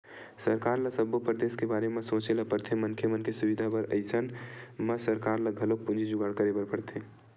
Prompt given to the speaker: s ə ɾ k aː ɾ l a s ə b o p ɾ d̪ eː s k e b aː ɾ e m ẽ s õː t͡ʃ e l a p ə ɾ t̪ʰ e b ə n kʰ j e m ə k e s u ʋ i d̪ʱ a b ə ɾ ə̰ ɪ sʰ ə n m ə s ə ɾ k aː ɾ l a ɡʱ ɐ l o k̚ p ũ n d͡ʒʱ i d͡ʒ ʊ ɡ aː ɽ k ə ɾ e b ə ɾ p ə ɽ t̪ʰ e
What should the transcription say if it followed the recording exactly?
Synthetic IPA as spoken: s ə ɾ k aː ɾ l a s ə b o p ɾ d̪ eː s k e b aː ɾ e m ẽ s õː t͡ʃ e l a p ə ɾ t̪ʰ e m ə n kʰ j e m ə k e s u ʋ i d̪ʱ a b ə ɾ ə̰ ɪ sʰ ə n m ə s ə ɾ k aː ɾ l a ɡʱ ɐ l o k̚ p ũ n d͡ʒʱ i d͡ʒ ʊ ɡ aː ɽ k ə ɾ e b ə ɾ p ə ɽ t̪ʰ e